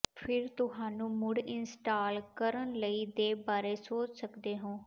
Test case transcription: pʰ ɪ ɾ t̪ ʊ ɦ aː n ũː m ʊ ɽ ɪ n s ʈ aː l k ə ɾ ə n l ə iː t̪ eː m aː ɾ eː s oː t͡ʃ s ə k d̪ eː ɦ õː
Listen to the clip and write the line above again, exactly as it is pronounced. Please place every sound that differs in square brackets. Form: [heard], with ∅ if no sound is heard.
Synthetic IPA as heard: pʰ ɪ ɾ t̪ ʊ ɦ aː n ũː m ʊ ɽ ɪ n s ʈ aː l k ə ɾ ə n l ə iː [d̪] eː [b] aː ɾ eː s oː t͡ʃ s ə k d̪ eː ɦ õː